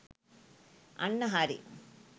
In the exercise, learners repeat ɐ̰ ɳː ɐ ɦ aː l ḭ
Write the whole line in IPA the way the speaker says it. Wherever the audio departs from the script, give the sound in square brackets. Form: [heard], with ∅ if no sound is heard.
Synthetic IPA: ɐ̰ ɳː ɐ ɦ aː [ɾ] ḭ